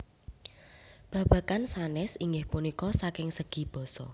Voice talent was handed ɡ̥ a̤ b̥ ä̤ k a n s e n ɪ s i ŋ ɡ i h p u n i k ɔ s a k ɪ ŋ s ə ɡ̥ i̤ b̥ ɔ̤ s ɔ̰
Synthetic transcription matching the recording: b̥ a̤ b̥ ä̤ k a n s a n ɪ s i ŋ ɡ ɪ h p u n i k ɔ s a k ɪ ŋ s ə ɡ̥ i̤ b̥ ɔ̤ s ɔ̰